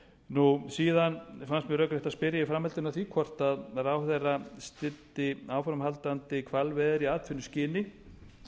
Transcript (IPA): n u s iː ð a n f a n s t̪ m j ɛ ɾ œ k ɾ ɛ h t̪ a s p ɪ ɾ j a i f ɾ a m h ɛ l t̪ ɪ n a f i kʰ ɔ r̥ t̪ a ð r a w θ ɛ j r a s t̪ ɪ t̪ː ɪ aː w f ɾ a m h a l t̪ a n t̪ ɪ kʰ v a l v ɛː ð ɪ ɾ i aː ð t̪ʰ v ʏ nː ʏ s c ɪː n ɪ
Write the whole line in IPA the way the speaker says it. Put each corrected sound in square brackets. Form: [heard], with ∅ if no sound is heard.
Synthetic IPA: n u s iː ð a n f a n s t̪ m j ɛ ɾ œ k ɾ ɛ h t̪ a s p ɪ ɾ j a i f ɾ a m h ɛ l t̪ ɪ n a [θ] i kʰ ɔ r̥ t̪ a ð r a w θ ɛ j r a s t̪ ɪ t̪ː ɪ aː w f ɾ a m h a l t̪ a n t̪ ɪ kʰ v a l v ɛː ð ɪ ɾ i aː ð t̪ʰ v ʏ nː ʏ s c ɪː n ɪ